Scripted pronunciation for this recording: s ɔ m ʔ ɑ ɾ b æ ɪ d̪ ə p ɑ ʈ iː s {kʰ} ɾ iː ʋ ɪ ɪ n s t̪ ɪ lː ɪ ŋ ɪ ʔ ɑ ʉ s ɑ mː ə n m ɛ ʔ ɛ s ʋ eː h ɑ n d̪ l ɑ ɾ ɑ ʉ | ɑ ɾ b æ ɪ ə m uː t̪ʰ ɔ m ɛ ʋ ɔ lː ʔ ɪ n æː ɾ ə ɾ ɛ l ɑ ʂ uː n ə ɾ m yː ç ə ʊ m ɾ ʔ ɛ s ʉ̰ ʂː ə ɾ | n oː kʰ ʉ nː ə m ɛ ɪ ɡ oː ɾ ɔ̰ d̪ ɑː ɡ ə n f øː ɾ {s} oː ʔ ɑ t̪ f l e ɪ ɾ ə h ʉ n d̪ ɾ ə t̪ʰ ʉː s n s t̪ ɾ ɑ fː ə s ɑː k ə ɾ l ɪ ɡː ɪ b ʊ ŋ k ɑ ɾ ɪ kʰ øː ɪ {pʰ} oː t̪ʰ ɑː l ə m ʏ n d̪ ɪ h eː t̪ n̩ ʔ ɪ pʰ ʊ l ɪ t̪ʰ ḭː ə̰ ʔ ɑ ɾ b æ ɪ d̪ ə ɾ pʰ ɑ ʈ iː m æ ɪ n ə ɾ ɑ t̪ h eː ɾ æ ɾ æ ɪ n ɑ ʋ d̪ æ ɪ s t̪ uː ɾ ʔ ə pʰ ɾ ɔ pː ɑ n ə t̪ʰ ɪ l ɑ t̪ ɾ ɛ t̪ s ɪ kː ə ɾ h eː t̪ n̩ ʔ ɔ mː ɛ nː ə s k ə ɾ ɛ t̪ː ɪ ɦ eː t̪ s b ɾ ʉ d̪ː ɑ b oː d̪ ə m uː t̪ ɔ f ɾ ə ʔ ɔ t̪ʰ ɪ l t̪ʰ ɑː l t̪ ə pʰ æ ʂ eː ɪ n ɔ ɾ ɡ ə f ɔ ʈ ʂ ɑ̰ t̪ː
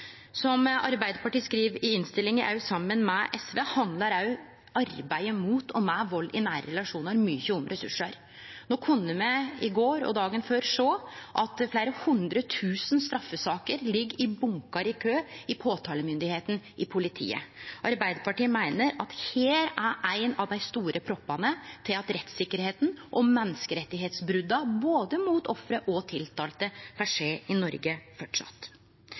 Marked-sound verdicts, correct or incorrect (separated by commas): incorrect, incorrect, correct